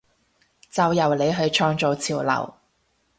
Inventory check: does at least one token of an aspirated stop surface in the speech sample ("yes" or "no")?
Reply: yes